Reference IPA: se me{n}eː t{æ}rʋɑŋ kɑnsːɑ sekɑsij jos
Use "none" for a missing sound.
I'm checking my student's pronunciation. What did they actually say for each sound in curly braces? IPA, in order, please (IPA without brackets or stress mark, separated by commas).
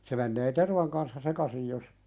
nː, e